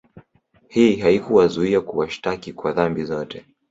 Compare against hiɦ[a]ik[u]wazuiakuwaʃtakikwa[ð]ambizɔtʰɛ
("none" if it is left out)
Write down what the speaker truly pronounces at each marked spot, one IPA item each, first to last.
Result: a, u, ð

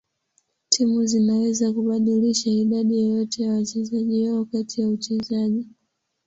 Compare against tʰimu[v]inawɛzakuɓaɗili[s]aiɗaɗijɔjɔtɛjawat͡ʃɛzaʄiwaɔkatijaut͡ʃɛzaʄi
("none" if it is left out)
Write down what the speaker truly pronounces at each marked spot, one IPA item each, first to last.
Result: z, ʃ

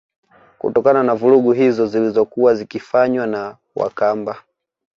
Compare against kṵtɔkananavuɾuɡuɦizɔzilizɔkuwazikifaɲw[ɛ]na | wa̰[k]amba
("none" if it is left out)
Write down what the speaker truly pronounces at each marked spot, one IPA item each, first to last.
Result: a, k

